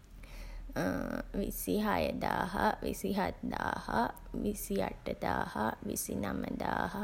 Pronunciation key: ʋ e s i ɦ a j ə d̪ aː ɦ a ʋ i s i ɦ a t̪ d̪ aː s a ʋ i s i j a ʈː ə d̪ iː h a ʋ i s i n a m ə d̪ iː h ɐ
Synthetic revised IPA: ʋ i s i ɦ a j ə d̪ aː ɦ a ʋ i s i ɦ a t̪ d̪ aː h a ʋ i s i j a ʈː ə d̪ aː h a ʋ i s i n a m ə d̪ aː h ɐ